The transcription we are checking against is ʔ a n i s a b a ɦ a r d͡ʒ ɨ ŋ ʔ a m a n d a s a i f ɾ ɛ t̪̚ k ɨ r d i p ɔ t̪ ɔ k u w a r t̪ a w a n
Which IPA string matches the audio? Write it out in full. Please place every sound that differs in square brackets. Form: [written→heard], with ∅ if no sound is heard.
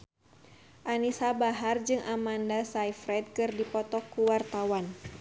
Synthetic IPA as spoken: ʔ a n i s a b a ɦ a r d͡ʒ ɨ ŋ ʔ a m a n d a s a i f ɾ ɛ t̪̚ k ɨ r d i p ɔ t̪ ɔ k u w a r t̪ a w a n